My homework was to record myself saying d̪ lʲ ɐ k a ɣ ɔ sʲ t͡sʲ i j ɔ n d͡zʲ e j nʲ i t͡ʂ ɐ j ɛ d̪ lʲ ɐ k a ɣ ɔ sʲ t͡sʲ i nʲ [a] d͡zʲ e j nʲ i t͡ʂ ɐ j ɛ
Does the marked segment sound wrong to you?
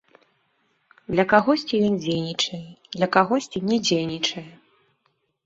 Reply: yes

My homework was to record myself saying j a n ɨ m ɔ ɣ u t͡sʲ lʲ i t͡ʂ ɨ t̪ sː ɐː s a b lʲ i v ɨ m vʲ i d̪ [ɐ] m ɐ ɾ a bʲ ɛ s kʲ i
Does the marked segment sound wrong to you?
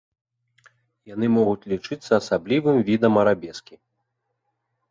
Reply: no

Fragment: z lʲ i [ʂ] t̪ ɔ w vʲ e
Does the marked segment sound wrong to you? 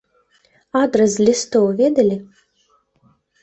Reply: yes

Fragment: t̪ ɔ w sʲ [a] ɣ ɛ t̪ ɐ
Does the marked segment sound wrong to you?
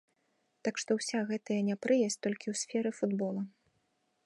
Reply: no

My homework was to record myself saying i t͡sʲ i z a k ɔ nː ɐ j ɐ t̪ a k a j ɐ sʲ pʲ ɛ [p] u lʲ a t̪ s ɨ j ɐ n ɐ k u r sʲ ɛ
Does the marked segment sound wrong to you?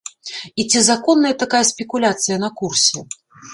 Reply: yes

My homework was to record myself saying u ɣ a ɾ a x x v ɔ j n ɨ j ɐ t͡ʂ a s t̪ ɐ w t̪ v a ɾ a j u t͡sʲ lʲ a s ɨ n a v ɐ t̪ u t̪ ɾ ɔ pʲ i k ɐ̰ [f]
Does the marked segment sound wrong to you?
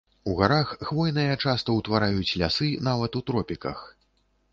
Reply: yes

